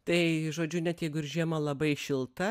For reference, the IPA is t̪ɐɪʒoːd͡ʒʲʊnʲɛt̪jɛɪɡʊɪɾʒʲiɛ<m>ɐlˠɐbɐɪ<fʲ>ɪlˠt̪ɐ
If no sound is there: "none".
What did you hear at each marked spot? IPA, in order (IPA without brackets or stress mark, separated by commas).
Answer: m, ʃʲ